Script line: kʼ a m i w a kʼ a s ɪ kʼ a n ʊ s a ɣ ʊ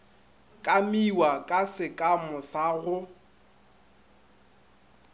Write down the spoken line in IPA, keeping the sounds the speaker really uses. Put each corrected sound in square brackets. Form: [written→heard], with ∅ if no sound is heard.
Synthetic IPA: kʼ a m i w a kʼ a s ɪ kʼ a [n→m] ʊ s a ɣ ʊ